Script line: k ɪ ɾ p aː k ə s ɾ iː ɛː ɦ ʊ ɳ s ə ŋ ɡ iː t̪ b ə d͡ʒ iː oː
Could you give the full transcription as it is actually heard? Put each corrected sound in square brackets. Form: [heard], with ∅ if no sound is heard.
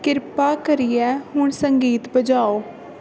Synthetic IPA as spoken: k ɪ ɾ p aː k ə [∅] ɾ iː ɛː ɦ ʊ ɳ s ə ŋ ɡ iː t̪ b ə d͡ʒ [aː] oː